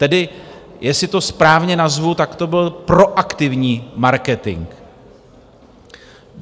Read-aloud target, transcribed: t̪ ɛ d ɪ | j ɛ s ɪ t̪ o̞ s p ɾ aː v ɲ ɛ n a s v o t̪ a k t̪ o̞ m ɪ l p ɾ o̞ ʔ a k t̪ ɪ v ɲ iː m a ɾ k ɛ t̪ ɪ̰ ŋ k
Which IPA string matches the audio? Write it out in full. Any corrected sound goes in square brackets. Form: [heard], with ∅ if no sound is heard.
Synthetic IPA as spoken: t̪ ɛ d ɪ | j ɛ s ɪ t̪ o̞ s p ɾ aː v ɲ ɛ n a [z] v [u] t̪ a k t̪ o̞ [b] ɪ l p ɾ o̞ ʔ a k t̪ ɪ v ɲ iː m a ɾ k ɛ t̪ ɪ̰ ŋ k